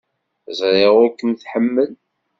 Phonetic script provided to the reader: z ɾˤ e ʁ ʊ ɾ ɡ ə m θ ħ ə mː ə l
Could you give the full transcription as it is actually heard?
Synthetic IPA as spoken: z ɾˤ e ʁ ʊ ɾ k ə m θ ħ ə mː ə l